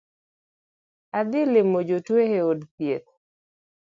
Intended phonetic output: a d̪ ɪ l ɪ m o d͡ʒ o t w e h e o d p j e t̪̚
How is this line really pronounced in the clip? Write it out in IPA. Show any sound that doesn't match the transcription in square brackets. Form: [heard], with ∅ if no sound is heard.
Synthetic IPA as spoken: a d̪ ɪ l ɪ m o d͡ʒ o t w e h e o d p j e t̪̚